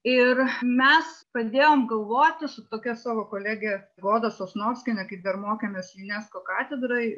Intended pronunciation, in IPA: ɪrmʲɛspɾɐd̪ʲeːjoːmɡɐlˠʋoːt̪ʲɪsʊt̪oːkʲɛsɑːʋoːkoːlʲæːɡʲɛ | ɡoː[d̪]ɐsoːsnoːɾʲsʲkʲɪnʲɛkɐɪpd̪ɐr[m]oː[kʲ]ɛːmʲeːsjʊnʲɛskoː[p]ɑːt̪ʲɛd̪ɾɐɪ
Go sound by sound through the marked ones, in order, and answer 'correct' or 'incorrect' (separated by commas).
correct, correct, correct, incorrect